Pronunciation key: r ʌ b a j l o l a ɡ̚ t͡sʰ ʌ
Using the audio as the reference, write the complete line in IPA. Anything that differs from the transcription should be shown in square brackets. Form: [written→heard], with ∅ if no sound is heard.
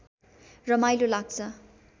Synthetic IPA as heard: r ʌ [b→m] a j l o l a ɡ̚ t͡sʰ ʌ